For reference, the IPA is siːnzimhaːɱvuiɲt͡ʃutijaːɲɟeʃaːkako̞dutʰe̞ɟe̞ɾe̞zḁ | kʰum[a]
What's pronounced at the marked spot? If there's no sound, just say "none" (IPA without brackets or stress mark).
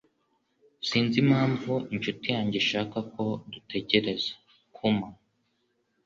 a